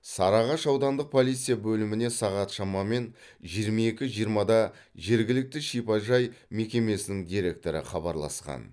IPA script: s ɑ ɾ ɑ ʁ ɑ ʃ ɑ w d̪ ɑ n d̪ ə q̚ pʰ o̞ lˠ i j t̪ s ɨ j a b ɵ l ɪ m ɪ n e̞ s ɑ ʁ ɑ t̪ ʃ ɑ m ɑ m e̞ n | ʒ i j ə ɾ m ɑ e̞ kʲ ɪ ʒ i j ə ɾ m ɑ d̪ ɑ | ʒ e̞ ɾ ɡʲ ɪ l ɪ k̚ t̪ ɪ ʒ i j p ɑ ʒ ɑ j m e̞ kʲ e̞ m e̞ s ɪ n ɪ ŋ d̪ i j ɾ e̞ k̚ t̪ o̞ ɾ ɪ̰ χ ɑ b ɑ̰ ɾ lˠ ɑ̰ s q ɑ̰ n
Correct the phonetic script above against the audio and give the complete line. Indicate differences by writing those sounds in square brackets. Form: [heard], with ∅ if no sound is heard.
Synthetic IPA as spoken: s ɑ ɾ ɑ ʁ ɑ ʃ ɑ w d̪ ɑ n d̪ ə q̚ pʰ o̞ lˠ i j t̪ s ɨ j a b ɵ l ɪ m ɪ n e̞ s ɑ ʁ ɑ t̪ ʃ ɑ m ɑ m e̞ n | ʒ i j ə ɾ m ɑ e̞ kʲ ɪ ʒ i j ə ɾ m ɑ d̪ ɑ | ʒ e̞ ɾ ɡʲ ɪ l ɪ k̚ t̪ ɪ [ʃ] i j p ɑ ʒ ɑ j m e̞ kʲ e̞ m e̞ s ɪ n ɪ ŋ d̪ i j ɾ e̞ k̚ t̪ o̞ ɾ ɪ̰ χ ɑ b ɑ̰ ɾ lˠ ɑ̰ s q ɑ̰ n